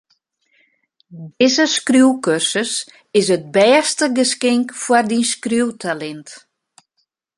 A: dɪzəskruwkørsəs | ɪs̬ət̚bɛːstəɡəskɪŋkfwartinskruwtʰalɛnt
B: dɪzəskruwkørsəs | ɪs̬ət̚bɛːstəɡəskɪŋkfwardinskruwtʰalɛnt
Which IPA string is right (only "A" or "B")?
B